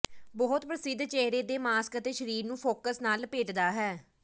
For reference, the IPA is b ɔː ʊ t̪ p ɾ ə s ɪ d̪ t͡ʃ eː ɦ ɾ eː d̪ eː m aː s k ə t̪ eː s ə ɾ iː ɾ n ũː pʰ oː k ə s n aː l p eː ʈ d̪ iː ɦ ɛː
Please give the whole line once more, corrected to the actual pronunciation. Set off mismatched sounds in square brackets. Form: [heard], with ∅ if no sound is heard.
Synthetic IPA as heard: b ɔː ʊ t̪ p ɾ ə s ɪ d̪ t͡ʃ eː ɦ ɾ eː d̪ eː m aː s k ə t̪ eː [ʃ] ə ɾ iː ɾ n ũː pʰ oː k ə s n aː l p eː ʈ d̪ [aː] ɦ ɛː